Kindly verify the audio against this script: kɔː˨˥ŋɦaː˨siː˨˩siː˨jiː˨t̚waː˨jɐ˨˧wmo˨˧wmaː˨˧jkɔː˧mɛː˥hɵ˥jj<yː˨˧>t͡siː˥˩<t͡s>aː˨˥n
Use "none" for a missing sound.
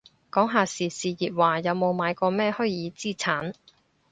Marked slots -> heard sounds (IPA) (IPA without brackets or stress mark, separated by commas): iː˨˧, t͡sʰ